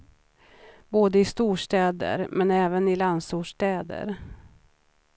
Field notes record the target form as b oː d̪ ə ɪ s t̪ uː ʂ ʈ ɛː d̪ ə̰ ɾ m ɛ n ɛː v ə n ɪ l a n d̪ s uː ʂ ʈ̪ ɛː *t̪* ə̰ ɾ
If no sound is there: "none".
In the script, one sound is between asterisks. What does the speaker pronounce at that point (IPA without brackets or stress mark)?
d̪